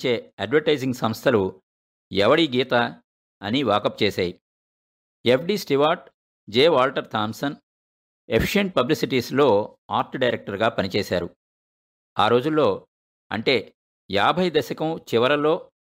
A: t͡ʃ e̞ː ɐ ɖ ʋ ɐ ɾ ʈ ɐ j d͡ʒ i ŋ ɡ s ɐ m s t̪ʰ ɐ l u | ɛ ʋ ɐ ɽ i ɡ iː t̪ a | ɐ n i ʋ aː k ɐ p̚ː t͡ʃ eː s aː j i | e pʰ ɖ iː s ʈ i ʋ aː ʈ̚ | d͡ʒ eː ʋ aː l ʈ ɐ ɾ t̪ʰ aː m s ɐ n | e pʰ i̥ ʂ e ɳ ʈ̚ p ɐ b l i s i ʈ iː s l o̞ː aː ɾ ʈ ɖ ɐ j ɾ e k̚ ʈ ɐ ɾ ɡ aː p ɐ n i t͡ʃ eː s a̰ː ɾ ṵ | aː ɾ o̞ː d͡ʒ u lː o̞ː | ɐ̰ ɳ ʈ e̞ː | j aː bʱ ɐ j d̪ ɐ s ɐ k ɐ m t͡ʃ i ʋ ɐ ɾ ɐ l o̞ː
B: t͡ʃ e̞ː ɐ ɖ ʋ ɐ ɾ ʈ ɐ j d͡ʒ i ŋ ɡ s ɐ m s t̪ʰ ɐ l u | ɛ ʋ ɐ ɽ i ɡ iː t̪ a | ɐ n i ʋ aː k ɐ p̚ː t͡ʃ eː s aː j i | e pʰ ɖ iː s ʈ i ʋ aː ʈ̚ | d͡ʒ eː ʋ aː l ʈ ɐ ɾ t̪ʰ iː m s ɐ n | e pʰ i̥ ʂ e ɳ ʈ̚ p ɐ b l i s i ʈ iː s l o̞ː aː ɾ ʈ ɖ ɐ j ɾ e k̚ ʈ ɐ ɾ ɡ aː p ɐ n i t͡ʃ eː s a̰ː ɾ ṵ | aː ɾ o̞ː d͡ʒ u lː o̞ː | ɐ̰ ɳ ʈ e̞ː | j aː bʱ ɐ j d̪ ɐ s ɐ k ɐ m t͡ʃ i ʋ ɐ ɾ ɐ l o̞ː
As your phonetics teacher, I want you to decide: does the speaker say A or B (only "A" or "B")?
A